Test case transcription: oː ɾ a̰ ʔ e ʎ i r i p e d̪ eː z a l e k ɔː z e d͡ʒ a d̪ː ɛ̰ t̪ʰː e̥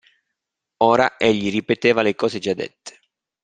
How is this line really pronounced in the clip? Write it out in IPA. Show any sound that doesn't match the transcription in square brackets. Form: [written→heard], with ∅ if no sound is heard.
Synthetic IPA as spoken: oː ɾ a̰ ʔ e [ʎ→ʎː] i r i p e [d̪→t̪] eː [z→v] a l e k ɔː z e d͡ʒ a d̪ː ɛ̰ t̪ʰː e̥